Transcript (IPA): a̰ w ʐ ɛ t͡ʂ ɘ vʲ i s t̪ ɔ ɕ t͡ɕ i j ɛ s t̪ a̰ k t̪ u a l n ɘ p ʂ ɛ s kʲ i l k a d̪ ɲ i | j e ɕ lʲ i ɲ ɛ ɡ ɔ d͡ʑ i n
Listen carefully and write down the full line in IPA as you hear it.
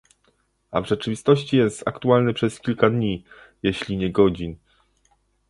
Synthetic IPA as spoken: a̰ v ʐ ɛ t͡ʂ ɘ vʲ i s t̪ ɔ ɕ t͡ɕ i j ɛ s t̪ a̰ k t̪ u a l n ɘ p ʂ ɛ s kʲ i l k a d̪ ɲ i | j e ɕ lʲ i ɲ ɛ ɡ ɔ d͡ʑ i n